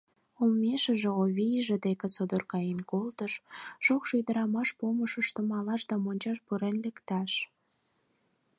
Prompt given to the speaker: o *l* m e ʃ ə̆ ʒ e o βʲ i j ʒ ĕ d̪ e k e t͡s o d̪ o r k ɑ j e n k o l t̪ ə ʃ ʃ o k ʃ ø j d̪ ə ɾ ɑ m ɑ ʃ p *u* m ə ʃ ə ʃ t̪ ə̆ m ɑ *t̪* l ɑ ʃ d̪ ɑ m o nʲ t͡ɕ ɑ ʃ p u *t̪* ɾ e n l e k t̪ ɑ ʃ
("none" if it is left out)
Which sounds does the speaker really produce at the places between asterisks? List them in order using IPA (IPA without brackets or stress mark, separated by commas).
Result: l, o, none, none